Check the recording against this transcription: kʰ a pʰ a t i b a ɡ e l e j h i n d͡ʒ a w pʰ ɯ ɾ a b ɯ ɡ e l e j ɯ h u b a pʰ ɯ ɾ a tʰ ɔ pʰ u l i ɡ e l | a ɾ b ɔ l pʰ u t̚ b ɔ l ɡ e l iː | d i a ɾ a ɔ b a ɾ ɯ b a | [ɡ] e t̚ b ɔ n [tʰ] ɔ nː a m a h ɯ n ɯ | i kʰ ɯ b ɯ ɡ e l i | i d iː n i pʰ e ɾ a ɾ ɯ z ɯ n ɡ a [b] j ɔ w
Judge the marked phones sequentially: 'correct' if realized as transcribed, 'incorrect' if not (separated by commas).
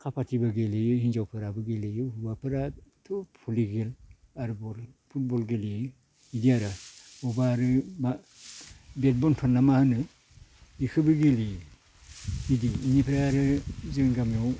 incorrect, correct, incorrect